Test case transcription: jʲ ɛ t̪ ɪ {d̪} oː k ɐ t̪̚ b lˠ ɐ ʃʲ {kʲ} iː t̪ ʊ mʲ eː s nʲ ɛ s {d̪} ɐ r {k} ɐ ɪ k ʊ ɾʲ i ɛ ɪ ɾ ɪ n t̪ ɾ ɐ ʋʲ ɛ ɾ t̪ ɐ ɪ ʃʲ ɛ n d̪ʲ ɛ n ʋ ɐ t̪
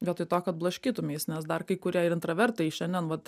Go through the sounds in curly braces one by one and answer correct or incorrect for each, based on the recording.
incorrect: t̪, correct, correct, correct

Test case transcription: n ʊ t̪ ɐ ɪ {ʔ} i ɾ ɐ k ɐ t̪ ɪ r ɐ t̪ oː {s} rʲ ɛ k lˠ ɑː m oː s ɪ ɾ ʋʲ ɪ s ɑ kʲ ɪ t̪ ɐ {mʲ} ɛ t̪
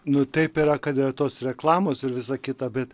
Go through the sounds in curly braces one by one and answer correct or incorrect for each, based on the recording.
incorrect: p, correct, incorrect: bʲ

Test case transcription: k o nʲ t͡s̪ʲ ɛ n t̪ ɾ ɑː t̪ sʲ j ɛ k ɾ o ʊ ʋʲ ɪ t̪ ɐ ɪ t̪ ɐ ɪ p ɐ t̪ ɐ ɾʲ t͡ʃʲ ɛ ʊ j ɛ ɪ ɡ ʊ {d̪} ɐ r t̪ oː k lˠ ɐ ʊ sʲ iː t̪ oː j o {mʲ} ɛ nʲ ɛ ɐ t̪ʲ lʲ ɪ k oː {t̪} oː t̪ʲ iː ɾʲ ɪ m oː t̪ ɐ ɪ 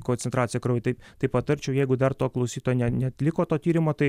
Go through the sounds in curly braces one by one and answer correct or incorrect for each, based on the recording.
correct, incorrect: nʲ, correct

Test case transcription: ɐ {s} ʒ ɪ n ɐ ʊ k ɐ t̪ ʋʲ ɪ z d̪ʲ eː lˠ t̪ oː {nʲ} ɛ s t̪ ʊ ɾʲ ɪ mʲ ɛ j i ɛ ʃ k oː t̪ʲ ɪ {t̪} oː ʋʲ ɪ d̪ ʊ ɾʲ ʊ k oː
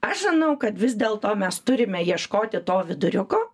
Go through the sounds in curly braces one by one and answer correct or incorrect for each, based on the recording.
incorrect: ʃ, incorrect: mʲ, correct

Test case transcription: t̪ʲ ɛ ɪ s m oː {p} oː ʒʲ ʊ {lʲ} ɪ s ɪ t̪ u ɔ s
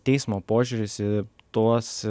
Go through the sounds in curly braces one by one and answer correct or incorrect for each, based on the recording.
correct, incorrect: ɾʲ

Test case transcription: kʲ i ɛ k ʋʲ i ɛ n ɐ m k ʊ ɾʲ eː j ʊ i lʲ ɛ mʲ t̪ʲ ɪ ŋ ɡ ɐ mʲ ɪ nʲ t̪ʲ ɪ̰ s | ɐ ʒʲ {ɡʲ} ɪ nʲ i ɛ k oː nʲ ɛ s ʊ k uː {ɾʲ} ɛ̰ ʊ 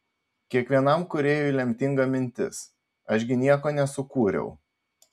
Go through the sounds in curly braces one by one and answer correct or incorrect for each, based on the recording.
correct, correct

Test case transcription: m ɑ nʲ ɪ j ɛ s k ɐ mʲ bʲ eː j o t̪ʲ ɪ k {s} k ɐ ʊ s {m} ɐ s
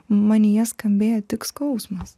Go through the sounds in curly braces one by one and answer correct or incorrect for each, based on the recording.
correct, correct

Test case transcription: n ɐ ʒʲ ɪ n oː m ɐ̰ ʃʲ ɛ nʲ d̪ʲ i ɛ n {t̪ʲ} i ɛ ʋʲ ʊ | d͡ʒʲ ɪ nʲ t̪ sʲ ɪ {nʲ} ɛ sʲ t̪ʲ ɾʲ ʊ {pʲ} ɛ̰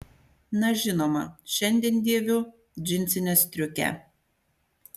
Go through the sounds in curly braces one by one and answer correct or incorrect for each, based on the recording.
incorrect: d̪ʲ, correct, incorrect: kʲ

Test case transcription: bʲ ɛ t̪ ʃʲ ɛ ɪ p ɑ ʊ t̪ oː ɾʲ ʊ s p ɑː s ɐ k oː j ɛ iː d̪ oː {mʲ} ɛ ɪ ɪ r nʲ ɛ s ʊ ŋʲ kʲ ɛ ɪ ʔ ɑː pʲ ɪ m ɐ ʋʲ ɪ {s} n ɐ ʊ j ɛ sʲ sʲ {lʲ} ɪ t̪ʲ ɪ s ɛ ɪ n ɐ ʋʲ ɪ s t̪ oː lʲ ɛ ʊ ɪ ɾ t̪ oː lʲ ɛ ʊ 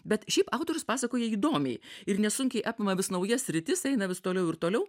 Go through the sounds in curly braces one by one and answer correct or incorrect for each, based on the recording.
correct, correct, incorrect: ɾʲ

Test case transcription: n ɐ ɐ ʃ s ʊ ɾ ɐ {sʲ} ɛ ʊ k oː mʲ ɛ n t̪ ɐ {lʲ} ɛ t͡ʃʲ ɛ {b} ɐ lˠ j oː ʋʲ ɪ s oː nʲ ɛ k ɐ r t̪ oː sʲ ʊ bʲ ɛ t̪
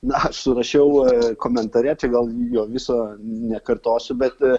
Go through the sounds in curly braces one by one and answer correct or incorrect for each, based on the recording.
incorrect: ʃʲ, incorrect: ɾʲ, incorrect: ɡ

